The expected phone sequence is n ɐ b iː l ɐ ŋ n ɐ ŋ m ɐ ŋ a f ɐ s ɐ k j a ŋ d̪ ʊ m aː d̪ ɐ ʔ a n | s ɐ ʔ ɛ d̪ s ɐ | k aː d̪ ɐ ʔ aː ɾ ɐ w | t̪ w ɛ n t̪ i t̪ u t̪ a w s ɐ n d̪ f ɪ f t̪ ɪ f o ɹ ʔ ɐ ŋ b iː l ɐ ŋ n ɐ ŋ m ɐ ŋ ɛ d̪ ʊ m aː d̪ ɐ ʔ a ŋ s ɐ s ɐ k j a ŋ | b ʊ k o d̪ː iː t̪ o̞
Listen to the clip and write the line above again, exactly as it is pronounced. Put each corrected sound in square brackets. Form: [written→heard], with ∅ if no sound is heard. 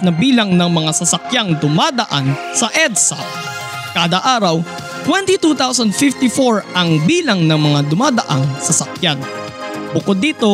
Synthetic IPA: n ɐ b iː l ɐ ŋ n ɐ ŋ m ɐ ŋ a [f→s] ɐ s ɐ k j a ŋ d̪ ʊ m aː d̪ ɐ ʔ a n | s ɐ ʔ ɛ d̪ s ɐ | k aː d̪ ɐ ʔ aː ɾ ɐ w | t̪ w ɛ n t̪ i t̪ u t̪ a w s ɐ n d̪ f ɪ f t̪ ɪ f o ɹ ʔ ɐ ŋ b iː l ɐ ŋ n ɐ ŋ m ɐ ŋ [ɛ→a] d̪ ʊ m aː d̪ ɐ ʔ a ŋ s ɐ s ɐ k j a [ŋ→n] | b ʊ k o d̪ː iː t̪ o̞